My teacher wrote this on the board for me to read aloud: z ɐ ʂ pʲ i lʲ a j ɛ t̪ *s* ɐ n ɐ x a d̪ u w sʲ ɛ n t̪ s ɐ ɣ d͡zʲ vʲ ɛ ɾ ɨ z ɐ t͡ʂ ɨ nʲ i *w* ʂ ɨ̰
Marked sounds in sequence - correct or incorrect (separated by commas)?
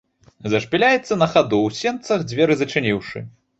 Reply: incorrect, correct